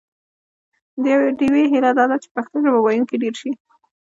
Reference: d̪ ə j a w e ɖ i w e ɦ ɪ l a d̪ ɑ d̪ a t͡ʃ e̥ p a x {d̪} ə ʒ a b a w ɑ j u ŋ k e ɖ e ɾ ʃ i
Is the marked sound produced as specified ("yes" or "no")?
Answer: no